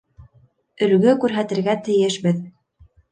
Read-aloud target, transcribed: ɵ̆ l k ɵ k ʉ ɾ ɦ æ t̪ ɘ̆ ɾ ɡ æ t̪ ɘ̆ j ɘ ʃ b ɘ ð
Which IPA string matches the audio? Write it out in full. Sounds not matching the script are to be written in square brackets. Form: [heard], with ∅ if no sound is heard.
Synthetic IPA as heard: ɵ̆ l [ɡ] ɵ k ʉ ɾ ɦ æ t̪ ɘ̆ ɾ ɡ æ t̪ ɘ̆ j ɘ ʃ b ɘ ð